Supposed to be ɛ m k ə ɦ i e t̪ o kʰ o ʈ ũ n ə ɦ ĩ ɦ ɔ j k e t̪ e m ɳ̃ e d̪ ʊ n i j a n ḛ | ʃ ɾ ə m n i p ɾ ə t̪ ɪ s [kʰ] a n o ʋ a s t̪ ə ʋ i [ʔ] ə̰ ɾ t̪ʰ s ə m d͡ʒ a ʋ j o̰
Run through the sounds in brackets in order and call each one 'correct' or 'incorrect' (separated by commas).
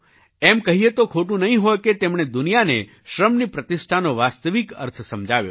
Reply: incorrect, incorrect